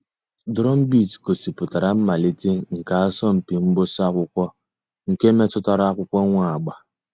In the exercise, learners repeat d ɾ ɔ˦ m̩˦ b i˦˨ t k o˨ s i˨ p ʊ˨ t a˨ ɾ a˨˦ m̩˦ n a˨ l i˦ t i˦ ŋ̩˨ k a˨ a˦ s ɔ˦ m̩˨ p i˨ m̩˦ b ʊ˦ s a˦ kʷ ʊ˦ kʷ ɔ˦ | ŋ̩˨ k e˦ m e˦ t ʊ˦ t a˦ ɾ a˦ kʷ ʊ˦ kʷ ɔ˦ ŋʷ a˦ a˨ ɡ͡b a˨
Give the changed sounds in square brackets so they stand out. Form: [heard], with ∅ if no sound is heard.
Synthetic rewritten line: d ɾ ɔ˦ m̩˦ b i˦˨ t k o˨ s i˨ p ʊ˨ t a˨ ɾ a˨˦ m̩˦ [m] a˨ l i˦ t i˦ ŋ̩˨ k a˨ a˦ s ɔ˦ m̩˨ p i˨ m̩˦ b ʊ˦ s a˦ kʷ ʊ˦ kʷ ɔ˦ | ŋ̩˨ k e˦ m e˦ t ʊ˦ t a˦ ɾ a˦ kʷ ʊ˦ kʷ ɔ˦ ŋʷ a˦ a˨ ɡ͡b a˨

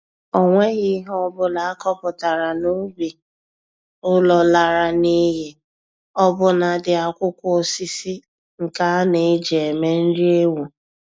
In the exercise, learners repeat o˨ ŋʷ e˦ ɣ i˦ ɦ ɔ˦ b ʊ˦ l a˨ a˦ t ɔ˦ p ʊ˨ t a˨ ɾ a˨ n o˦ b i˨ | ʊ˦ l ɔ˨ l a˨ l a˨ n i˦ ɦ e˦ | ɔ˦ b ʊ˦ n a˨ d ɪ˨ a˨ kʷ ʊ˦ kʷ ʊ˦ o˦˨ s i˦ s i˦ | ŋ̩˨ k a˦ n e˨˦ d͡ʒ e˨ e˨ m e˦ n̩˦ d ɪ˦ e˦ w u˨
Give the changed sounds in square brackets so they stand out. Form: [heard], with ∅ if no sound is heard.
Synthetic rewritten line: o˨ ŋʷ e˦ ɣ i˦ ɦ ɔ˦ b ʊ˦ l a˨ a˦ [k] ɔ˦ p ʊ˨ t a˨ ɾ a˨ n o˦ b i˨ | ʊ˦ l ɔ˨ l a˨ [ɾ] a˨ n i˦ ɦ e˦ | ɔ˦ b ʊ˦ n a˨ d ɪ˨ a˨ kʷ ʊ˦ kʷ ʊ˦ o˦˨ s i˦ s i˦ | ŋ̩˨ k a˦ n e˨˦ d͡ʒ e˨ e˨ m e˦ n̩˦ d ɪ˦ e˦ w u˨

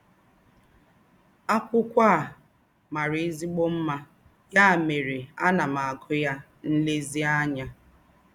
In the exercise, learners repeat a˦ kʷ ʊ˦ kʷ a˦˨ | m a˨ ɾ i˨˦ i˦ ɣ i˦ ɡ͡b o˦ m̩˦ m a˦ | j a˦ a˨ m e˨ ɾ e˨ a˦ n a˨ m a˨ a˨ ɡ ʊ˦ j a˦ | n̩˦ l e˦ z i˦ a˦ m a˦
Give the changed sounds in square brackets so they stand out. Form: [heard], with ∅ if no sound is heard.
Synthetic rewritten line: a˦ kʷ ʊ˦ kʷ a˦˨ | m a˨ ɾ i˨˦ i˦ [z] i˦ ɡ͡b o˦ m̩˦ m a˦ | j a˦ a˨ m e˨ ɾ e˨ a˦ n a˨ m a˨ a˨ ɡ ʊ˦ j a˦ | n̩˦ l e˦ z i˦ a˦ [ɲ] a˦

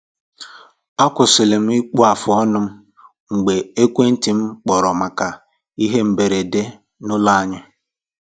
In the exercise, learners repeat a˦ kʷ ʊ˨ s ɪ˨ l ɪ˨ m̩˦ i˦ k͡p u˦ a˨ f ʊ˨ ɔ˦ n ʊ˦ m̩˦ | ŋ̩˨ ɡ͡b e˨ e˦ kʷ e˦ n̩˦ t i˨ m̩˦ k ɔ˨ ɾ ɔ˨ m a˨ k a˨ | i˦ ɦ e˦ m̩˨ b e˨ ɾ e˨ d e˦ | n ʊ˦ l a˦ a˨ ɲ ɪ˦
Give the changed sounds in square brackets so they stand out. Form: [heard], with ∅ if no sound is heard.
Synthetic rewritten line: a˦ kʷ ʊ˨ s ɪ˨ l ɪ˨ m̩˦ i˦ k͡p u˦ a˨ f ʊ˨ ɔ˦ n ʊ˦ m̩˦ | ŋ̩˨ ɡ͡b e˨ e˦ kʷ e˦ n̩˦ t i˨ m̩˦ [k͡p] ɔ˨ ɾ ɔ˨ m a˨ k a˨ | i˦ ɦ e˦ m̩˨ b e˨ ɾ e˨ d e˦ | n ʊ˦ l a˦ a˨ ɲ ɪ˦

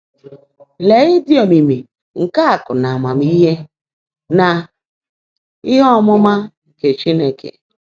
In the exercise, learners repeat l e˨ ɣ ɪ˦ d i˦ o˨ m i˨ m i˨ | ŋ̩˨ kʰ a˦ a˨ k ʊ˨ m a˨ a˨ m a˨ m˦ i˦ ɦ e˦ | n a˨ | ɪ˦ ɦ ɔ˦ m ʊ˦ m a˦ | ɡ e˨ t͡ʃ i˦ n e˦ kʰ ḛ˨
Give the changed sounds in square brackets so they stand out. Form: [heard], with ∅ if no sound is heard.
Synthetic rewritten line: l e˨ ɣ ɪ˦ d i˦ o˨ m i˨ m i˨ | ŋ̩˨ [k] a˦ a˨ k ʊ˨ [n] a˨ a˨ m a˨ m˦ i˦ ɦ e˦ | n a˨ | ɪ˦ ɦ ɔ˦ m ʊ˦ m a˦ | [k] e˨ t͡ʃ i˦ n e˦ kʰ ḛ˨

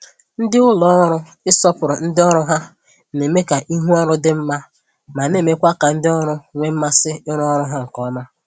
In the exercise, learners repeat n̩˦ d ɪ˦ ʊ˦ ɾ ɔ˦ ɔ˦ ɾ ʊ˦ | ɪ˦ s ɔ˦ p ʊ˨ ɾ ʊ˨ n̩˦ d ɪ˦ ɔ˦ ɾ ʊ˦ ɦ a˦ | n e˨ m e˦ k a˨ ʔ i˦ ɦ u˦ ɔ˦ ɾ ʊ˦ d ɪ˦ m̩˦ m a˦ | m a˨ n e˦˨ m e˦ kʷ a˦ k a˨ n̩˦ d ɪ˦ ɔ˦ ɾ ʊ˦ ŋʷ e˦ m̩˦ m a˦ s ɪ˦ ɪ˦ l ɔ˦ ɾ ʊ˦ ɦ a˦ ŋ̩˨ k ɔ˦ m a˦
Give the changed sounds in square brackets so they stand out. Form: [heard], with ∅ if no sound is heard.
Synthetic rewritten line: n̩˦ d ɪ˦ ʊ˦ [l] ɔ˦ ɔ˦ ɾ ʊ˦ | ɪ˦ s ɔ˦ p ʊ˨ ɾ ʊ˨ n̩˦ d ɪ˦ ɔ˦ ɾ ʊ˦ ɦ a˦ | n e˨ m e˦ k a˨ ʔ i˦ ɦ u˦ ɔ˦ ɾ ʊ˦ d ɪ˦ m̩˦ m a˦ | m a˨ n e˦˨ m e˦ kʷ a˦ k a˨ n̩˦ d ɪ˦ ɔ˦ ɾ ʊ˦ ŋʷ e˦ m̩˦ m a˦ s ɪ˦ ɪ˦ [ɾ] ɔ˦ ɾ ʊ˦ ɦ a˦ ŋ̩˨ k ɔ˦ m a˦

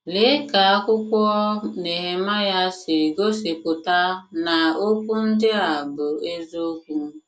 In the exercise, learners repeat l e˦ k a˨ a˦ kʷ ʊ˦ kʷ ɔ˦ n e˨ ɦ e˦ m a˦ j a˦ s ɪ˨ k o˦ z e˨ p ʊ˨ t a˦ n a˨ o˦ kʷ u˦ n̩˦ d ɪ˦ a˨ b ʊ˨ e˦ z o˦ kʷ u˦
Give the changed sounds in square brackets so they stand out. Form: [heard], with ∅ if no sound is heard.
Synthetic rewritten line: l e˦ k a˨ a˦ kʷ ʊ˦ kʷ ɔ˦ n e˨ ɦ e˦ m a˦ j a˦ s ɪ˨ [ɡ] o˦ [s] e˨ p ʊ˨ t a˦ n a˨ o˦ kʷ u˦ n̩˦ d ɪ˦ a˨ b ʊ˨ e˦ z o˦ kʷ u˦

